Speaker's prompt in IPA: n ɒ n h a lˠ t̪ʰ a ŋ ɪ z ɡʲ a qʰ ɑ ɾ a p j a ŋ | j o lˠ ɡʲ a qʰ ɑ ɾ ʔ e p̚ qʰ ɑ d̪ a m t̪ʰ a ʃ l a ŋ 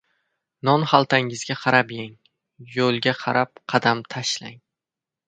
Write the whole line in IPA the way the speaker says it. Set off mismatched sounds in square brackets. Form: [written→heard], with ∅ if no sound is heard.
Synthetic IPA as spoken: n ɒ n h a lˠ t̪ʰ a ŋ ɪ z ɡʲ a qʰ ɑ ɾ a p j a ŋ | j o lˠ ɡʲ a qʰ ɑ ɾ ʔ [e→a] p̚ qʰ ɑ d̪ a m t̪ʰ a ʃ l a ŋ